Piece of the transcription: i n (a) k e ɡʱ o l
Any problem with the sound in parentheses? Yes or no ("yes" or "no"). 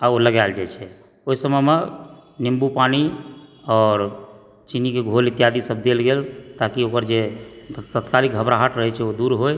yes